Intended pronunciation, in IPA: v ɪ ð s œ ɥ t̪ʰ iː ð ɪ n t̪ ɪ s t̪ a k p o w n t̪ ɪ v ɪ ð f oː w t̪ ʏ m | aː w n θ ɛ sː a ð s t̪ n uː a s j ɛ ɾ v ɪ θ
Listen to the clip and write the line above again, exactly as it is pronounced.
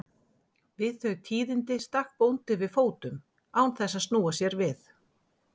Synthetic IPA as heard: v ɪ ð θ œ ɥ t̪ʰ iː ð ɪ n t̪ ɪ s t̪ a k p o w n t̪ ɪ v ɪ ð f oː w t̪ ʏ m | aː w n θ ɛ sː a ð s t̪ n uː a s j ɛ ɾ v ɪ θ